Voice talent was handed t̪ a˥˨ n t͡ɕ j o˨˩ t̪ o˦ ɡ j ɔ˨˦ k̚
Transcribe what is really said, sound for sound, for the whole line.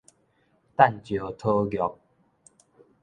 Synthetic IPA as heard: t̪ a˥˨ n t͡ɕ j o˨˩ t̪ʰ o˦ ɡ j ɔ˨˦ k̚